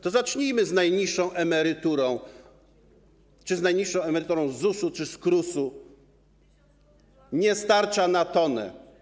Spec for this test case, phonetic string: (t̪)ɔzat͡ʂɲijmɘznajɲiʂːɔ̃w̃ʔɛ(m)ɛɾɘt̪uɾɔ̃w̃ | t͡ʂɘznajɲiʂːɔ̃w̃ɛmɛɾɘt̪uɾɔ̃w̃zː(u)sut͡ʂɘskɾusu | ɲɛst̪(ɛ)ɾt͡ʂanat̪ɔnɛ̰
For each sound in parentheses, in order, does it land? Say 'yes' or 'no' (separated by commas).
yes, yes, yes, no